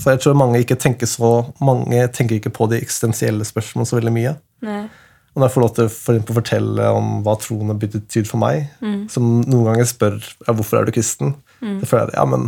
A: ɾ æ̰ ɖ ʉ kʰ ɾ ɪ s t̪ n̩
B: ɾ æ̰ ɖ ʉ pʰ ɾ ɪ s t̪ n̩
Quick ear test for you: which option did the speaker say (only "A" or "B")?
A